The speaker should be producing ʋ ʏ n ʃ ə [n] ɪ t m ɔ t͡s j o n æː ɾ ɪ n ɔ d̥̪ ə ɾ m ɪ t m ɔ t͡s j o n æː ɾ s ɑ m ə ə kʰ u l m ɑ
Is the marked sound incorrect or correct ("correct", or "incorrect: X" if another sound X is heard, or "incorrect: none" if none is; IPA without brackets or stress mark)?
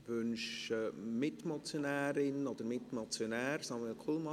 incorrect: m